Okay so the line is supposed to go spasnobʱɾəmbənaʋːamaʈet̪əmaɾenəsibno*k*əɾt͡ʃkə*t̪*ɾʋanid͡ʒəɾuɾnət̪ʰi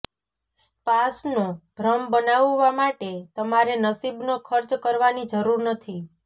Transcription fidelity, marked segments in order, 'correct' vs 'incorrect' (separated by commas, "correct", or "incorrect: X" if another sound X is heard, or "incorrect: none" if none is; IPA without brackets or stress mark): incorrect: kʰ, incorrect: none